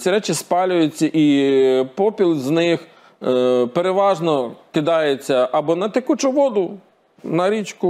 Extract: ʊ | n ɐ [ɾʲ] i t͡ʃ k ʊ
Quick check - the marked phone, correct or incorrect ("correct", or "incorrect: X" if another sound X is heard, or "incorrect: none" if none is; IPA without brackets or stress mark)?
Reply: correct